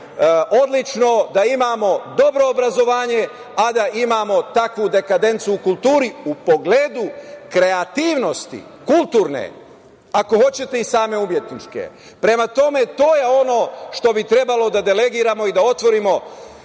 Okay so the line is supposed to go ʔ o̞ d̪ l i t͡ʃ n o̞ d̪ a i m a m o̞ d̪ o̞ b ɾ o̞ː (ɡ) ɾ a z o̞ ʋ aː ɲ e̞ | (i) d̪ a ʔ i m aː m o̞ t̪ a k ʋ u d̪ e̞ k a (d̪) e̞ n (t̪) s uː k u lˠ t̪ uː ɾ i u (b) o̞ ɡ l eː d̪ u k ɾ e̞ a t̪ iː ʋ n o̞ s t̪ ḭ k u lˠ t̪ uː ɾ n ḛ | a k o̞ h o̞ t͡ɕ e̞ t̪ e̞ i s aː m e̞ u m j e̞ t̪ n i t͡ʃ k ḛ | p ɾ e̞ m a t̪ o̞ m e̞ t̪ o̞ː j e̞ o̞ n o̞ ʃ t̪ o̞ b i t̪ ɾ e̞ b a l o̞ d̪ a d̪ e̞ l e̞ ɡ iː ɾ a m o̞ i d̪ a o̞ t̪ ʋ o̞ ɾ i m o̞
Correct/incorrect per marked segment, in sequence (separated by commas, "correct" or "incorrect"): incorrect, incorrect, correct, correct, incorrect